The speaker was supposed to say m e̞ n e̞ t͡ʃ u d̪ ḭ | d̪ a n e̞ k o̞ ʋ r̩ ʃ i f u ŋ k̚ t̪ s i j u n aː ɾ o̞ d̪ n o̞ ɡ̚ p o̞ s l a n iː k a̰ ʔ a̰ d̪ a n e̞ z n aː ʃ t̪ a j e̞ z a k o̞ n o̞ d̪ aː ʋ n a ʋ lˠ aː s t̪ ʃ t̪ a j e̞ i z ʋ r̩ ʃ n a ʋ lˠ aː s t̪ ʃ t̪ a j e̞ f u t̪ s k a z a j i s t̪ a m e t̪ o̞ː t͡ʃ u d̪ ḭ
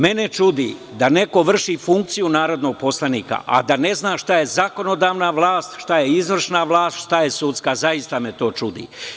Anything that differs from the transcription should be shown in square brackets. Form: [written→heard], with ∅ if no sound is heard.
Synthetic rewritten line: m e̞ n e̞ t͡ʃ u d̪ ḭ | d̪ a n e̞ k o̞ ʋ r̩ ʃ i f u ŋ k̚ t̪ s i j u n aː ɾ o̞ d̪ n o̞ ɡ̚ p o̞ s l a n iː k a̰ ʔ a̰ d̪ a n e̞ z n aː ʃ t̪ a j e̞ z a k o̞ n o̞ d̪ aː ʋ n a ʋ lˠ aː s t̪ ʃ t̪ a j e̞ i z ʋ r̩ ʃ n a ʋ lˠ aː s t̪ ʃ t̪ a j e̞ [f→s] u t̪ s k a z a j i s t̪ a m e t̪ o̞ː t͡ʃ u d̪ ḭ